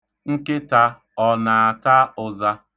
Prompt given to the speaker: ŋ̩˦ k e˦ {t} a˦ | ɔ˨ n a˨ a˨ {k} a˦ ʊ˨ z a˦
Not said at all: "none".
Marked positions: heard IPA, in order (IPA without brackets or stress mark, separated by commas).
t, t